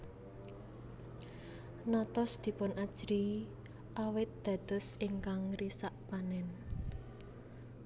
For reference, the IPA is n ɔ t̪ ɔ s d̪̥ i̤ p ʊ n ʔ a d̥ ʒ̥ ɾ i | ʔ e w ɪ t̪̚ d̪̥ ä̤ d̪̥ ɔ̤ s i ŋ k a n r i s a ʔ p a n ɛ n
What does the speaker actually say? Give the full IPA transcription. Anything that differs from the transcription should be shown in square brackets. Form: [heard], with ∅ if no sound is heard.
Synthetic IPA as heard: n ɔ t̪ ɔ s d̪̥ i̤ p ʊ n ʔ a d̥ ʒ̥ ɾ i | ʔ [a] w ɪ t̪̚ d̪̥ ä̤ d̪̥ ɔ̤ s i ŋ k a [ŋ] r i s a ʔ p a n ɛ n